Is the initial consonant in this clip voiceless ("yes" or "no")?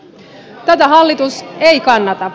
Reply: yes